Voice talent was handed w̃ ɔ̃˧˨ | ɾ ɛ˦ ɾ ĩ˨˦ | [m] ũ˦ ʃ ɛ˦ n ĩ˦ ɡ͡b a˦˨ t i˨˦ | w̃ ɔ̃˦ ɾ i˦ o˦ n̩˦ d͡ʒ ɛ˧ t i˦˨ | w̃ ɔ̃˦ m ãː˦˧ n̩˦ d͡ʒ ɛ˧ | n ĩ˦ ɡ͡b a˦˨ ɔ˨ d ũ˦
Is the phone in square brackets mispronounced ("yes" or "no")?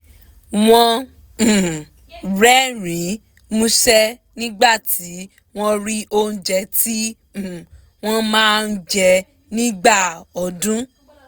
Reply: no